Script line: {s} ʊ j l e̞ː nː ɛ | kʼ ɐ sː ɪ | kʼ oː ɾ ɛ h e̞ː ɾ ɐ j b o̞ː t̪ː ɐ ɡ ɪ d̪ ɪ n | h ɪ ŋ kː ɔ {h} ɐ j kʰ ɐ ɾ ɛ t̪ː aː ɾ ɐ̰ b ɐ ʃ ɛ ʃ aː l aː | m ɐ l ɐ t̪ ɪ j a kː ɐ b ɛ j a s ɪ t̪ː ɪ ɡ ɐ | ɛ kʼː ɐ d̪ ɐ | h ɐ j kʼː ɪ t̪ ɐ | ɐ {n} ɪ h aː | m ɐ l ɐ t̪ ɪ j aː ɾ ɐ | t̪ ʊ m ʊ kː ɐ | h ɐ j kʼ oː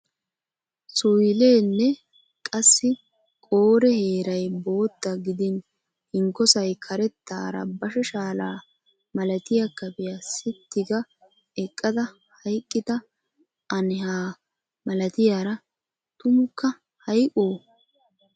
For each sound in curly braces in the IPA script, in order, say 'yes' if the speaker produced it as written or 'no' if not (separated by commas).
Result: yes, no, yes